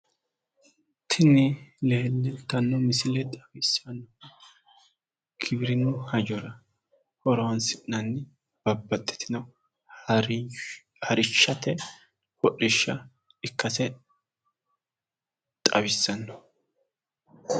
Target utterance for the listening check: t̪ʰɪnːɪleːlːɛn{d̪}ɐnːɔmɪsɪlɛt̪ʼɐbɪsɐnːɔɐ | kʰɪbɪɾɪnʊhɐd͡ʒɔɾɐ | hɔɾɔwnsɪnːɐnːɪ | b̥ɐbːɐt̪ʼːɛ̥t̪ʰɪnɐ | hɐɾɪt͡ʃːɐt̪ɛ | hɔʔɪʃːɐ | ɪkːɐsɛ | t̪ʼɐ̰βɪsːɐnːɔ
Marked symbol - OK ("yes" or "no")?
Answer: no